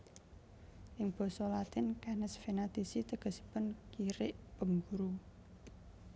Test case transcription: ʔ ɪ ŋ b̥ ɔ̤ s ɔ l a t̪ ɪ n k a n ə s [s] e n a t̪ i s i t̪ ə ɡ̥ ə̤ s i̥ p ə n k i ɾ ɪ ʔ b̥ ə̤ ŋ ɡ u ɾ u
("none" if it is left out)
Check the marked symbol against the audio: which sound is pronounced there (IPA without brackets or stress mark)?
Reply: f